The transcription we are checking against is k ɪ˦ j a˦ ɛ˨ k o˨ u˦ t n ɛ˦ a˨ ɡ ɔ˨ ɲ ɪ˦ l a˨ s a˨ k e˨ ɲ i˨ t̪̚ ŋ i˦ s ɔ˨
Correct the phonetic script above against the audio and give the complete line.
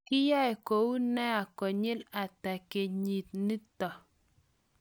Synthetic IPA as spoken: k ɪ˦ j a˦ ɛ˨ k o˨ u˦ n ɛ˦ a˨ k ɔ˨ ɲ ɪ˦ l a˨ t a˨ k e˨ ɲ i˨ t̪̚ n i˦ t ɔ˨